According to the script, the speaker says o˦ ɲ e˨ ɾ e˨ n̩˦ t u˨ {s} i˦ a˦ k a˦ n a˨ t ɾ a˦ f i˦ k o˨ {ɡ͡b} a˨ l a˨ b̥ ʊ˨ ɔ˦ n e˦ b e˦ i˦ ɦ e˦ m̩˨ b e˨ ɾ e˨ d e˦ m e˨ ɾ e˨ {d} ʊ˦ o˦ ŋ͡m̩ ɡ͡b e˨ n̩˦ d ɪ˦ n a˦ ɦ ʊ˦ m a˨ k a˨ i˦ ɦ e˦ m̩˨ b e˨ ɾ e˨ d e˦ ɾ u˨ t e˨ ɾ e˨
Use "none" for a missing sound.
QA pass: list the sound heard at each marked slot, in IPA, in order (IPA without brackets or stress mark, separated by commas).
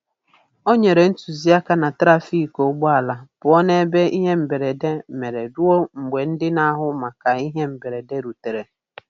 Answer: z, ɡ͡b, d